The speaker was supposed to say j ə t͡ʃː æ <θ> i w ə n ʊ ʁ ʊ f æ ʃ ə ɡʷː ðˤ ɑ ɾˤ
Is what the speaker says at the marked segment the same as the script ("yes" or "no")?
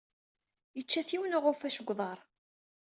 yes